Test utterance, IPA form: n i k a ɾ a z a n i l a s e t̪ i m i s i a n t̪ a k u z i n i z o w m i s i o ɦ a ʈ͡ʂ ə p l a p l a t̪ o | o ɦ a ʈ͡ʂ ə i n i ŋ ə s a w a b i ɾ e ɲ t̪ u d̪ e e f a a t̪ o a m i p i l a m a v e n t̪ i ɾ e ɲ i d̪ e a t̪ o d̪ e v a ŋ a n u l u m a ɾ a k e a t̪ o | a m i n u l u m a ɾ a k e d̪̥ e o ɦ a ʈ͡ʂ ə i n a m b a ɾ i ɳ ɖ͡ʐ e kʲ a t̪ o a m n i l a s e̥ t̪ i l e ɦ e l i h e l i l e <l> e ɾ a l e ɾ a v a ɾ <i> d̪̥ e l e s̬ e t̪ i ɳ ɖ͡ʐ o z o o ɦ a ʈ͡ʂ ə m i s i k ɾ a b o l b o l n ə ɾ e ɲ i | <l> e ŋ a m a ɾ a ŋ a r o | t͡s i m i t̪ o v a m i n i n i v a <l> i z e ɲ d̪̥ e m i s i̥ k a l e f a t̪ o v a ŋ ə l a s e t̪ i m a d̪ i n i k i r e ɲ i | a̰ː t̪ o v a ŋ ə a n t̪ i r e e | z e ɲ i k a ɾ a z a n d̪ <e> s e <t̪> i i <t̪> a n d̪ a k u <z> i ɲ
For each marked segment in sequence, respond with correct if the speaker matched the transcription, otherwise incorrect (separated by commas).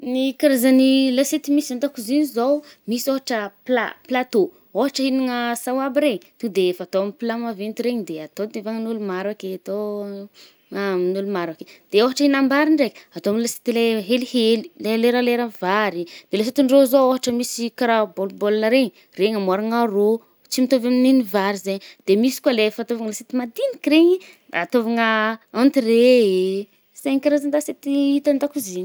correct, correct, incorrect, incorrect, incorrect, correct, correct, correct